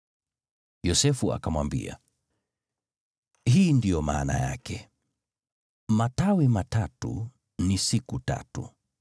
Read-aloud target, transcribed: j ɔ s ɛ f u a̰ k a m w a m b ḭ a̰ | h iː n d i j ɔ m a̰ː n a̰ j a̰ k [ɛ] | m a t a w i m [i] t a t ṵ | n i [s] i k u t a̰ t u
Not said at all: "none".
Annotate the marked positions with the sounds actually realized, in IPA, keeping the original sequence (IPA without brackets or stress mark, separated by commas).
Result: ɛ, a, s